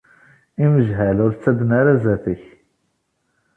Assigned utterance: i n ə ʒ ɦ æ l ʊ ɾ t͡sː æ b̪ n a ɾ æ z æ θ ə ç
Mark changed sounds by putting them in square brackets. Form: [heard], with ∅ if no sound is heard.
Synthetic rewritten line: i [m] ə ʒ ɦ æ l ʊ ɾ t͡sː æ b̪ n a ɾ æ z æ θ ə ç